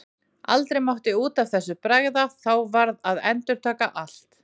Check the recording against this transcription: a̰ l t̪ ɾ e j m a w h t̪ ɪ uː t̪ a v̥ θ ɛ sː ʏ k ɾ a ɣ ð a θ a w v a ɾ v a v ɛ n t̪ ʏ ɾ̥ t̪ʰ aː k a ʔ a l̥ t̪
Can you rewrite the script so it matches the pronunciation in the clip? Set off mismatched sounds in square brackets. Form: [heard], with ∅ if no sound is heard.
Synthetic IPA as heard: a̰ l t̪ ɾ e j m a w h t̪ ɪ uː t̪ a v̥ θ ɛ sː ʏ [p] ɾ a ɣ ð a θ a w v a ɾ [ð] a [ð] ɛ n t̪ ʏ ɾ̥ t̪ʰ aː k a ʔ a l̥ t̪